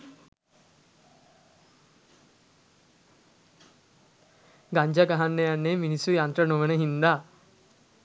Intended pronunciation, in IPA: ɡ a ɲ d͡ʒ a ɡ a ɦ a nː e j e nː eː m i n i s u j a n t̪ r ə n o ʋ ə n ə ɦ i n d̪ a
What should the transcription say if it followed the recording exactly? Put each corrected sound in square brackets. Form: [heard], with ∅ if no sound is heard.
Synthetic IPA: ɡ a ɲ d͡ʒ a ɡ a ɦ a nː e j [a] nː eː m i n i s u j a n t̪ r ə n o ʋ ə n ə ɦ i n d̪ a